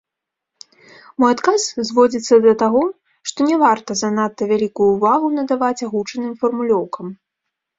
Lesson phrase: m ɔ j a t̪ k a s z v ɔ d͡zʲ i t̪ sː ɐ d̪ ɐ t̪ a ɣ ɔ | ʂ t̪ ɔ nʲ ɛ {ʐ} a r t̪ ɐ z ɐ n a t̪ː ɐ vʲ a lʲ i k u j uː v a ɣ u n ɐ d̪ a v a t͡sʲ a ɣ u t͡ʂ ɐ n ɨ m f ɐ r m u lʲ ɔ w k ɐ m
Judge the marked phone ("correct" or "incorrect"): incorrect